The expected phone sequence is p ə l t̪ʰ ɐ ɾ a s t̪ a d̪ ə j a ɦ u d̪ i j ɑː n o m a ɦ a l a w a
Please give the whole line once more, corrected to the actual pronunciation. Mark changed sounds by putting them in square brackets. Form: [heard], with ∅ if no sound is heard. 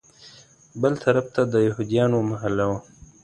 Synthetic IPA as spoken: [b] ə l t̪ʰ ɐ ɾ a [f] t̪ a d̪ ə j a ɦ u d̪ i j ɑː n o m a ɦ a l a w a